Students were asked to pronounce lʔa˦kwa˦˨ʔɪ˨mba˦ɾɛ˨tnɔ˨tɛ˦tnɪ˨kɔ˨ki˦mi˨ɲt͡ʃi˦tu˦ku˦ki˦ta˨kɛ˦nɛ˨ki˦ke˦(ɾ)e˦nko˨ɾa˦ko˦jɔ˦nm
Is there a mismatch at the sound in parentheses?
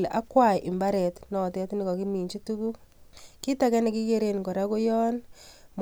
no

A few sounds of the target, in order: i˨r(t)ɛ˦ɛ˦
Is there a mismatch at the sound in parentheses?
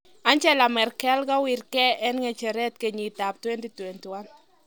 yes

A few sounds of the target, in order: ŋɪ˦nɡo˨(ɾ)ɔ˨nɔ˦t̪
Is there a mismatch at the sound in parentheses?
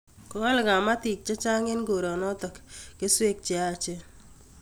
no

